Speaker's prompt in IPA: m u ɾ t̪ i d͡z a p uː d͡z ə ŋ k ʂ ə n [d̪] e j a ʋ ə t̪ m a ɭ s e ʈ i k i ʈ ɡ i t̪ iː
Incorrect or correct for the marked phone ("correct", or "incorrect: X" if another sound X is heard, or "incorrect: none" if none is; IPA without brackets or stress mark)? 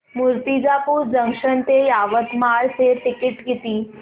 incorrect: t̪